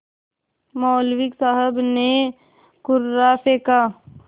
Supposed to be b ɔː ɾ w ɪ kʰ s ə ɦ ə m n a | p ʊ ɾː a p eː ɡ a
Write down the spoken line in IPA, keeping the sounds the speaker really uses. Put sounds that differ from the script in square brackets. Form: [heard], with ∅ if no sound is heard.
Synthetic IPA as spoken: [m] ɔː [l] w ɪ [k] s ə ɦ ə [b] n [e] | [k] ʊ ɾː a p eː [k] a